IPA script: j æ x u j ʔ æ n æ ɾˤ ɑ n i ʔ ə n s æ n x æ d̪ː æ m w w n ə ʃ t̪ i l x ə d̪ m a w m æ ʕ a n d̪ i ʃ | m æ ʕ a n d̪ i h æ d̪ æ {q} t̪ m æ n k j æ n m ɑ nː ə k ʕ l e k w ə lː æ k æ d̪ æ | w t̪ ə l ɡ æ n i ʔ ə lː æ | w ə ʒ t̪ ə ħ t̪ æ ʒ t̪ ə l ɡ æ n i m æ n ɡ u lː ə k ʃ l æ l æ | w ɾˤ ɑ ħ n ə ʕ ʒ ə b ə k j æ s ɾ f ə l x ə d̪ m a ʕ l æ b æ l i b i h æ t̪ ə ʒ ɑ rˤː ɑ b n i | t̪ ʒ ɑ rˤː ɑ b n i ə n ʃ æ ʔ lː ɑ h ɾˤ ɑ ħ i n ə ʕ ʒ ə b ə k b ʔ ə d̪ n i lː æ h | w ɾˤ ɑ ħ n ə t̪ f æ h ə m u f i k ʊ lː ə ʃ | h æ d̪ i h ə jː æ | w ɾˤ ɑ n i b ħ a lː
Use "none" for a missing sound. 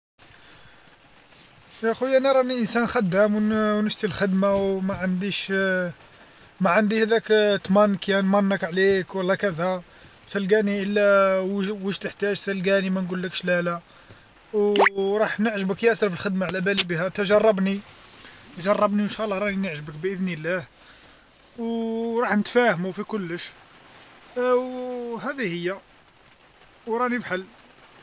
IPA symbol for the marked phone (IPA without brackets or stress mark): k